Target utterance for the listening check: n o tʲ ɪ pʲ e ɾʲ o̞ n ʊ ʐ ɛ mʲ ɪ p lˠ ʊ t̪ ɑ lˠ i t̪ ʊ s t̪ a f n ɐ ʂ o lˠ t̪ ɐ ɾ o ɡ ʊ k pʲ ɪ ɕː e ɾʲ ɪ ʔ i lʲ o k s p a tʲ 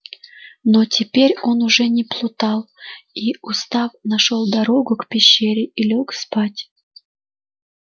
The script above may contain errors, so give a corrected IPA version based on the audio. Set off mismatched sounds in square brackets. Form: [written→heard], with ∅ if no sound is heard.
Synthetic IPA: n o tʲ ɪ pʲ e ɾʲ o̞ n ʊ ʐ ɛ [mʲ→nʲ] ɪ p lˠ ʊ t̪ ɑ lˠ i [t̪→∅] ʊ s t̪ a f n ɐ ʂ o lˠ [t̪→d̪] ɐ ɾ o ɡ ʊ k pʲ ɪ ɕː e ɾʲ ɪ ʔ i lʲ o k s p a tʲ